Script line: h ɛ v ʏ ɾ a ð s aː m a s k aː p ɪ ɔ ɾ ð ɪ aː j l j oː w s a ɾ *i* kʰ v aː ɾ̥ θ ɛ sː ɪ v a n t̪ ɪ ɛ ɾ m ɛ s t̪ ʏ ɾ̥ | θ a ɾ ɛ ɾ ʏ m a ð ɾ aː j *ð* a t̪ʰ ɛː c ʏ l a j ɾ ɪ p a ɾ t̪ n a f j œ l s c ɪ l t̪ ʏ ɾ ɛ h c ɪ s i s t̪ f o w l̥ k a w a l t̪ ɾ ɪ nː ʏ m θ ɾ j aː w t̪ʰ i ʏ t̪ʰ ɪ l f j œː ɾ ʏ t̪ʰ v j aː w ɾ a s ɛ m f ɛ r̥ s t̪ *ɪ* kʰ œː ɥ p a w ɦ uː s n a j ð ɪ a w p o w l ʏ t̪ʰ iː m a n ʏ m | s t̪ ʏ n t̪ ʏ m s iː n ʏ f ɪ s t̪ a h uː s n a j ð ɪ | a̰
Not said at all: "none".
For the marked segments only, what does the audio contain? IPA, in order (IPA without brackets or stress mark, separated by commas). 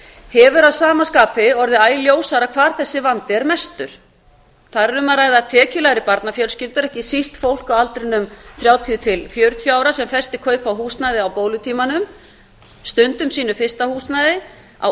a, ð, ɪ